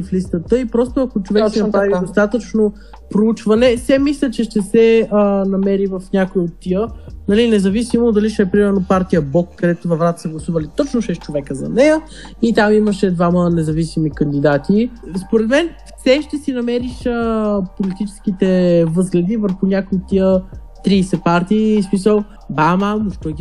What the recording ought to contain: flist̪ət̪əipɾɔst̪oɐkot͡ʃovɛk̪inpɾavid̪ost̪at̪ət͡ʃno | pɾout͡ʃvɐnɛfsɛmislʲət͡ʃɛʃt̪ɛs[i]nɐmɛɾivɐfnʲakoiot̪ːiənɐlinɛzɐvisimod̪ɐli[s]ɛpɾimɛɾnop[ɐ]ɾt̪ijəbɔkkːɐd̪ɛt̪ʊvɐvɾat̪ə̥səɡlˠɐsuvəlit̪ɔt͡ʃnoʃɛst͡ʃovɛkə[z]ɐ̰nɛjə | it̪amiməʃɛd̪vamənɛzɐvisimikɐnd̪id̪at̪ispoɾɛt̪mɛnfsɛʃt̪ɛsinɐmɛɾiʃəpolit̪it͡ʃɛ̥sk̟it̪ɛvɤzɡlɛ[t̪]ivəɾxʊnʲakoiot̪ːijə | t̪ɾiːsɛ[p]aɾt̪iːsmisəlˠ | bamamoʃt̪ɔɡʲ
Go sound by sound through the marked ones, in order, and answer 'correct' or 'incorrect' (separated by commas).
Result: incorrect, incorrect, incorrect, correct, incorrect, correct